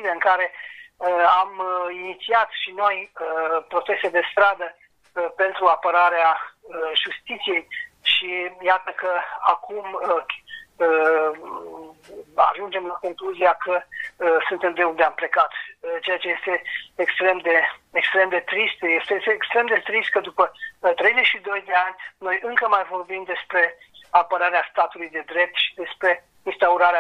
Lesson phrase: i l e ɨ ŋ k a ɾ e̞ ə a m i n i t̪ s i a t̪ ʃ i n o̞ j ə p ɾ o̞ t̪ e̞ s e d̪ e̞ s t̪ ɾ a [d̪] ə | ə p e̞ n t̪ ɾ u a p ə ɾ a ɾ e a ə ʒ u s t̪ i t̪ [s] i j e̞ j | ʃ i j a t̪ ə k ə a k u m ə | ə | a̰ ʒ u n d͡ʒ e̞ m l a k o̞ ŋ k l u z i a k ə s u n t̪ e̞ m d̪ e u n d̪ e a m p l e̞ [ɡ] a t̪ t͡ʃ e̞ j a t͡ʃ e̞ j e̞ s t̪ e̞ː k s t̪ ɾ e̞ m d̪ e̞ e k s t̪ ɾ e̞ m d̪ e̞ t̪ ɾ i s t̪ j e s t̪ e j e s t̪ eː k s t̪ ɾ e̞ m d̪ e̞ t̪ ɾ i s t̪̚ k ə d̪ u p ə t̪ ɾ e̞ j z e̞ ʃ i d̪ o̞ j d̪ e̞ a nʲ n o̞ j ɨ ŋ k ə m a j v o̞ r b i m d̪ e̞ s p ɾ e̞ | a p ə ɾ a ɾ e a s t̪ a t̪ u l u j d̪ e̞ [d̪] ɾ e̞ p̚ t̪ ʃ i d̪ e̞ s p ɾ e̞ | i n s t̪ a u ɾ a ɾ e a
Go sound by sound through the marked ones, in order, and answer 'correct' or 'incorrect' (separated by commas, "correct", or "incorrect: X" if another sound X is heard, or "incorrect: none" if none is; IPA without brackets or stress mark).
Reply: correct, correct, incorrect: k, correct